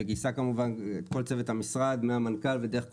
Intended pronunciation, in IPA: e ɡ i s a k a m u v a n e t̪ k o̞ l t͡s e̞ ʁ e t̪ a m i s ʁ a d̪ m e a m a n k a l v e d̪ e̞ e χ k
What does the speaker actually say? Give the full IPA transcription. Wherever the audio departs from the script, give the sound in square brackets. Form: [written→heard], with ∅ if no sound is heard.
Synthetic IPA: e ɡ i s a k a m u v a n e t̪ k o̞ l t͡s e̞ [ʁ→v] e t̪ a m i s ʁ a d̪ m e a m a n k a l v e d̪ e̞ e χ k